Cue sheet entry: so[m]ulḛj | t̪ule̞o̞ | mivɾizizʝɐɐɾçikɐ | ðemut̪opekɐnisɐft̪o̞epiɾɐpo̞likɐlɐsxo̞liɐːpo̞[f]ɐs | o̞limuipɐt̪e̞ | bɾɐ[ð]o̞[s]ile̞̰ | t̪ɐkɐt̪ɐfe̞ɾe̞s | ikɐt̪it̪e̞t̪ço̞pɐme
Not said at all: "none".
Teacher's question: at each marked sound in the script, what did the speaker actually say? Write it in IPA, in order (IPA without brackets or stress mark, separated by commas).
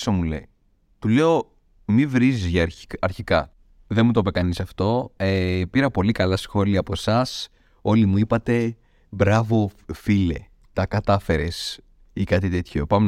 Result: m, s, v, f